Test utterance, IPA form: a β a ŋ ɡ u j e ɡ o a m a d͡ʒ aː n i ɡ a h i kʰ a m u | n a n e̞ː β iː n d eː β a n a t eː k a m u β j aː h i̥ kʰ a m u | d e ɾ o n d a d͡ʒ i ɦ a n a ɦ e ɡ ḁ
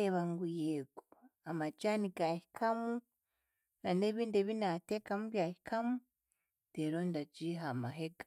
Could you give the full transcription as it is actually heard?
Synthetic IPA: e β a ŋ ɡ u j e ɡ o a m a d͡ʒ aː n i ɡ a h i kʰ a m u | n a n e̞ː β iː n d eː β i n a t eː k a m u β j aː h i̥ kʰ a m u | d e ɾ o n d a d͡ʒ i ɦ a m a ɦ e ɡ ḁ